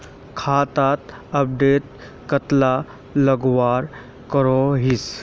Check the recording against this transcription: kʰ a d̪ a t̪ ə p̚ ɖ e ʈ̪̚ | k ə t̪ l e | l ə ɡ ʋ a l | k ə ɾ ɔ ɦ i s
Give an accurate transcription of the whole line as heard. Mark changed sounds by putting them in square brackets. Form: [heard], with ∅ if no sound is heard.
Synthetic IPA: kʰ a [t̪] a t̪ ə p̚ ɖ e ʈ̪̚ | k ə t̪ l [a] | l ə ɡ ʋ a [ɾ] | k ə ɾ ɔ ɦ i s